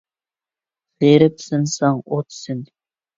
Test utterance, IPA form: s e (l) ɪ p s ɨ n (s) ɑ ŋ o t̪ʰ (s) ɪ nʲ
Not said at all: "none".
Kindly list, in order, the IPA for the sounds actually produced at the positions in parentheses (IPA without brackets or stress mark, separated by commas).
ɾ, s, s